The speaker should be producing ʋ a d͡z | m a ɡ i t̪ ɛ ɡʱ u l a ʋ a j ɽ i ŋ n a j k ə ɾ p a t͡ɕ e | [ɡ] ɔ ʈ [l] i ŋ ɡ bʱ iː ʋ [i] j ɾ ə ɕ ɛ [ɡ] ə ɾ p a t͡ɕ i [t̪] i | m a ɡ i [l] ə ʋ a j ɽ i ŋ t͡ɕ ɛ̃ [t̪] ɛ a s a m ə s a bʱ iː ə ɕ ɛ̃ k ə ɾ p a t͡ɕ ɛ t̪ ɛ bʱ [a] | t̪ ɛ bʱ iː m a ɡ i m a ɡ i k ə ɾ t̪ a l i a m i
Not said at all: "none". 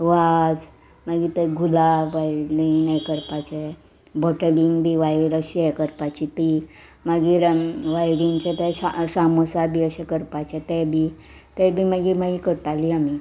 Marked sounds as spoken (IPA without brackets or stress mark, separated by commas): b, l, a, k, t̪, ɾ, t̪, i